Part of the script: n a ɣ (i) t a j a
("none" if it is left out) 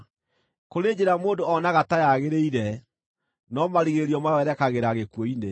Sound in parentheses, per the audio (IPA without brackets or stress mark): a